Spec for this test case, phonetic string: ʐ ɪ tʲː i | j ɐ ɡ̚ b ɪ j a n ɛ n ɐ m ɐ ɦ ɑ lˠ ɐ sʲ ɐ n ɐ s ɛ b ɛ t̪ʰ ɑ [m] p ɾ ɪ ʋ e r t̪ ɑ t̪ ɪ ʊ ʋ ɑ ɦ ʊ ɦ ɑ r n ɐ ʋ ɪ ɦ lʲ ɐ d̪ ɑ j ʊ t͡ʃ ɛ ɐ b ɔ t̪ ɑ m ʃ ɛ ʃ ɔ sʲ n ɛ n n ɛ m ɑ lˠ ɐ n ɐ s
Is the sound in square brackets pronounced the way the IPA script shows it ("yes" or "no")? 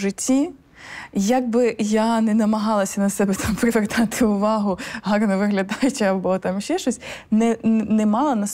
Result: yes